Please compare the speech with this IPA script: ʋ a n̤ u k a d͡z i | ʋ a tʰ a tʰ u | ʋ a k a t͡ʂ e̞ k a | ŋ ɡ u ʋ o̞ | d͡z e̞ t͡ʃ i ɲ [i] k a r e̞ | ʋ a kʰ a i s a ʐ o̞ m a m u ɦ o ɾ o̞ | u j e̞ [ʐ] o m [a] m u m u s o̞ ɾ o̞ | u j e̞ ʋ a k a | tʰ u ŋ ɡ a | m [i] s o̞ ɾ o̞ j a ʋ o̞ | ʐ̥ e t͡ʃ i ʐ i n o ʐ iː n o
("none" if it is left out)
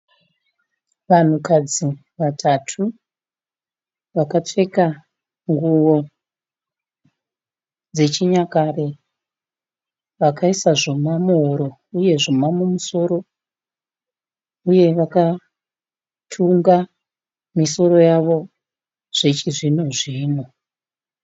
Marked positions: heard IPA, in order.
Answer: a, ʐ, a, i

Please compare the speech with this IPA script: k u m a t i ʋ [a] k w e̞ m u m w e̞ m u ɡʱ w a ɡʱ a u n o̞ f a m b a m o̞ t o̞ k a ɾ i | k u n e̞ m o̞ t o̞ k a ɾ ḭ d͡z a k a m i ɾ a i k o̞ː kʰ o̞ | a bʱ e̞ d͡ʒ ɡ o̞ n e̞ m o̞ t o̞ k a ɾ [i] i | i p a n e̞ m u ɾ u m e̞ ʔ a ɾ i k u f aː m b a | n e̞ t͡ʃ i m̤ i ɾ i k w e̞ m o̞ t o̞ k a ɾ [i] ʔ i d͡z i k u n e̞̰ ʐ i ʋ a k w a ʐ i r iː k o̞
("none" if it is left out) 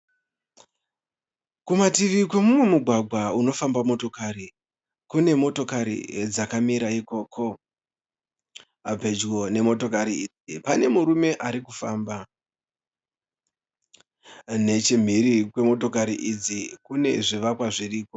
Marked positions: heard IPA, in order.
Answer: i, i, i

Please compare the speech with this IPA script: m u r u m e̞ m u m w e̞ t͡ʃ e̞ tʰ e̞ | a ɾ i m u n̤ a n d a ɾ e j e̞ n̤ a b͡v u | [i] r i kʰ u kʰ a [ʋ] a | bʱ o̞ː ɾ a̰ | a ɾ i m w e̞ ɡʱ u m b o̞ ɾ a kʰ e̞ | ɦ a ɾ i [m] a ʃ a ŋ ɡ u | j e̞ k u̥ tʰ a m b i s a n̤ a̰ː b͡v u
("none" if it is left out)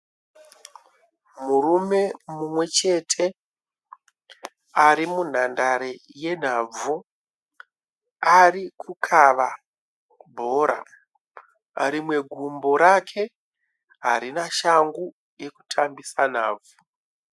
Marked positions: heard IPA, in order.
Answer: a, ʋ, n

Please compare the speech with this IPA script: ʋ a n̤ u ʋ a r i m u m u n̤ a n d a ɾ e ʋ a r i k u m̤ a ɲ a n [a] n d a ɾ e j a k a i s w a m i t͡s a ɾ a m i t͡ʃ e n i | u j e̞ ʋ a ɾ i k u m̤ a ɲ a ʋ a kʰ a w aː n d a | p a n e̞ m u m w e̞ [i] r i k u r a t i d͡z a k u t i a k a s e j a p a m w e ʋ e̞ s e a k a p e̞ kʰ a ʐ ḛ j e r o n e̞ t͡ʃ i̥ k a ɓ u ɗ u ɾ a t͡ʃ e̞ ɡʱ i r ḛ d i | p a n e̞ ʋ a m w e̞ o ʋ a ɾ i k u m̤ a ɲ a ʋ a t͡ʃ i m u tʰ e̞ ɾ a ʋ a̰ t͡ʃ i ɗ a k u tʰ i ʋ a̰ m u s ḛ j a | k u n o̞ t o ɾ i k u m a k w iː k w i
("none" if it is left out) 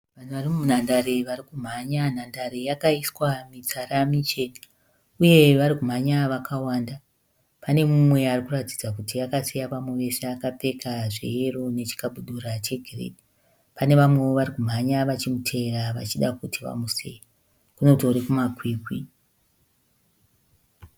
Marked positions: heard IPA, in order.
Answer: a, a

